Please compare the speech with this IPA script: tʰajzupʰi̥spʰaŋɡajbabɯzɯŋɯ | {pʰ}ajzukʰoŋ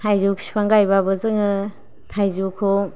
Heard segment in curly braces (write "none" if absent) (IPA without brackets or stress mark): tʰ